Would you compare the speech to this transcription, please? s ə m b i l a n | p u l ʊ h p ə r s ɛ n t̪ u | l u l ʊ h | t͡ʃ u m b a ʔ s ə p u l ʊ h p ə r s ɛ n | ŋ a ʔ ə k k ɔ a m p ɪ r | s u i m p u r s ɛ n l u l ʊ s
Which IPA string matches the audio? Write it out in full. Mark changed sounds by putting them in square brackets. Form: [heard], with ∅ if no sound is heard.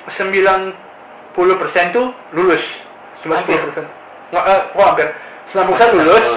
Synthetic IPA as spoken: s ə m b i l a n | p u l ʊ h p ə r s ɛ n t̪ u | l u l ʊ [s] | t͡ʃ u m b a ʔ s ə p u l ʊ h p ə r s ɛ n | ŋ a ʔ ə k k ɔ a m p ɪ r | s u [a] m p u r s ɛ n l u l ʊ s